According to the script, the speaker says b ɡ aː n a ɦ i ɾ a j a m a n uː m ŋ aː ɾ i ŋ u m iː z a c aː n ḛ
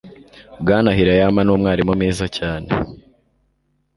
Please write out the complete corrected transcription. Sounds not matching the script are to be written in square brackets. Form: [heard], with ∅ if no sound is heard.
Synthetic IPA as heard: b ɡ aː n a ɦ i ɾ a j a m a n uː m ŋ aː ɾ i [m] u m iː z a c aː n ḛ